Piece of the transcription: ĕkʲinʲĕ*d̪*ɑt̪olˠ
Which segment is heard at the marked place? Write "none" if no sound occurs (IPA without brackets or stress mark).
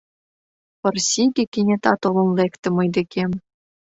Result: t̪